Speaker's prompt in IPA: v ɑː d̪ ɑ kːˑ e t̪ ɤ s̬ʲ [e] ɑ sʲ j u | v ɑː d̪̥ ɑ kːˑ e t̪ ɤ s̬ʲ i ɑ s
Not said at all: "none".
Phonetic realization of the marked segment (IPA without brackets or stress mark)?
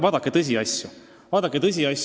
i